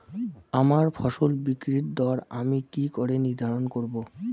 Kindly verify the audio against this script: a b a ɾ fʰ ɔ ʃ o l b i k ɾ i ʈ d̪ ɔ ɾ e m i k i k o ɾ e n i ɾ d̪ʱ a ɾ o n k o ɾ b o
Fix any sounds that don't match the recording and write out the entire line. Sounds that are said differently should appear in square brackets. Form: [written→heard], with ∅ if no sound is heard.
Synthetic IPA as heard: a [b→m] a ɾ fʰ ɔ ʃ o l b i k ɾ i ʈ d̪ ɔ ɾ [e→a] m i k i k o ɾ e n i ɾ d̪ʱ a ɾ o n k o ɾ b o

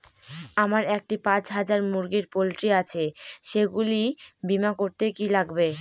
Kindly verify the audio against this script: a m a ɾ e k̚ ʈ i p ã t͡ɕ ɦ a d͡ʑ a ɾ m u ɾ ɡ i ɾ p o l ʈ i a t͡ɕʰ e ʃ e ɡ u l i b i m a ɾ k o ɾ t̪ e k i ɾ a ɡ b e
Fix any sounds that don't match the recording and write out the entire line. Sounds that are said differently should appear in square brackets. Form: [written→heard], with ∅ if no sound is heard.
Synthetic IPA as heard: a m a ɾ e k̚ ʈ i p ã t͡ɕ ɦ a d͡ʑ a ɾ m u ɾ ɡ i ɾ p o l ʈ i a t͡ɕʰ e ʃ e ɡ u l i b i m a [ɾ→∅] k o ɾ t̪ e k i [ɾ→l] a ɡ b e

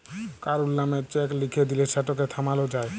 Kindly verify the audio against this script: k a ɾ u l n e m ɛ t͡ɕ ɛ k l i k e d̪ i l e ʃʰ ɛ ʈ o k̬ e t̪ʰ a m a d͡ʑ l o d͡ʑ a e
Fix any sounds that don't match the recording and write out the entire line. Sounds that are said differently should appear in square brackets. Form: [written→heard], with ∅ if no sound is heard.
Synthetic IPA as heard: k a ɾ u l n [e→a] m [ɛ→e] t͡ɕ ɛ k l i [k→kʰ] e d̪ i l e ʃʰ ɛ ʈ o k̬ e t̪ʰ a m a [d͡ʑ→∅] l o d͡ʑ a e

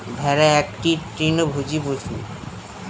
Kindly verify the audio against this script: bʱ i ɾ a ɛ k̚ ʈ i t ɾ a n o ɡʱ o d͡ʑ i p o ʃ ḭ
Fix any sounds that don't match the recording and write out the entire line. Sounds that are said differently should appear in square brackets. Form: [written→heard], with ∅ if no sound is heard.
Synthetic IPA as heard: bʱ [i→ɛ] ɾ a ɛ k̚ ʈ i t ɾ [a→i] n o [ɡʱ→bʱ] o d͡ʑ i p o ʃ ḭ

